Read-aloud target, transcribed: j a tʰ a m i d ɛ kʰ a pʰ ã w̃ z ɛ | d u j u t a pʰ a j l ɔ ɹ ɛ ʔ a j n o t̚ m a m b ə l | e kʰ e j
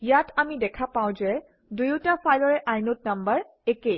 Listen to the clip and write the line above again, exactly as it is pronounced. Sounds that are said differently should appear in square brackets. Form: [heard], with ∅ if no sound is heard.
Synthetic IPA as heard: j a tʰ a m i d ɛ kʰ a [p] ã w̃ z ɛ | d u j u t a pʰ a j l ɔ ɹ ɛ ʔ a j n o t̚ [n] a m b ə [ɹ] | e [k] e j